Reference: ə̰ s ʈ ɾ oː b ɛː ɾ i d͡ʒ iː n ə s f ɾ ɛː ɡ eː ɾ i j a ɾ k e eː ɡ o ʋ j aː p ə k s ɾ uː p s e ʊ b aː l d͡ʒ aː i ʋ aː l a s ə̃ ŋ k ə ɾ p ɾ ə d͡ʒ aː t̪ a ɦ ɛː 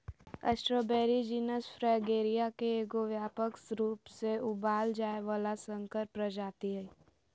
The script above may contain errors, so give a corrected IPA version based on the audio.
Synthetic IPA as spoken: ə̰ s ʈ ɾ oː b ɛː ɾ i d͡ʒ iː n ə s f ɾ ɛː ɡ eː ɾ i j a k e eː ɡ o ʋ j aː p ə k s ɾ uː p s e ʊ b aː l d͡ʒ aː e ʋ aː l a s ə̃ ŋ k ə ɾ p ɾ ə d͡ʒ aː t̪ i ɦ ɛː